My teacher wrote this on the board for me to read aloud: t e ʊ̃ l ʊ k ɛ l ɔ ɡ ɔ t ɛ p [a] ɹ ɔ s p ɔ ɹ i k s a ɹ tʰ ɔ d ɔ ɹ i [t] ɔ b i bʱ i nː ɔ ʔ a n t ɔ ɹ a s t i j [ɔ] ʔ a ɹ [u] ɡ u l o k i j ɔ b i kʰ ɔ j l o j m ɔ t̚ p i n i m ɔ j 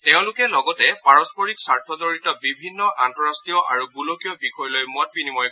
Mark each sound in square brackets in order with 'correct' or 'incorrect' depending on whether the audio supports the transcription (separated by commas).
correct, correct, correct, correct